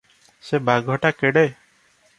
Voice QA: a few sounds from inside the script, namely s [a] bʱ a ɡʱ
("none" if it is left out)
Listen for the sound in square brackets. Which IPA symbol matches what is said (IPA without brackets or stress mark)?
e